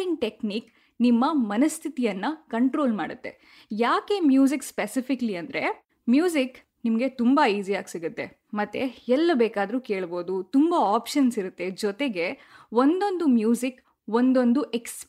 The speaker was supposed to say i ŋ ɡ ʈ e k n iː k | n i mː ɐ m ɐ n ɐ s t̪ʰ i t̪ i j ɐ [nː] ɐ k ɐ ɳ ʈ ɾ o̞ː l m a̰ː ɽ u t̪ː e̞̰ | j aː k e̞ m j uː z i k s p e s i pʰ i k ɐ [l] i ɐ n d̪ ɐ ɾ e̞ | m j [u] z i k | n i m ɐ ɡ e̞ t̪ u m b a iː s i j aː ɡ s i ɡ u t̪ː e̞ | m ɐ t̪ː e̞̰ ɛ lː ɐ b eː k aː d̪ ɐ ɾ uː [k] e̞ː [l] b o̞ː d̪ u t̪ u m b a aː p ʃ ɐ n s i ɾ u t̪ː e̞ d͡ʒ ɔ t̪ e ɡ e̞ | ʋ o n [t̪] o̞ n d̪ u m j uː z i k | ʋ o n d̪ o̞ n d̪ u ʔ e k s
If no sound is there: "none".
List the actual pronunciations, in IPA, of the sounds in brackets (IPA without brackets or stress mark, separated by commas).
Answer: nː, l, uː, k, ɭ, d̪